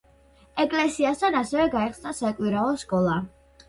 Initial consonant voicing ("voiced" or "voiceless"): voiceless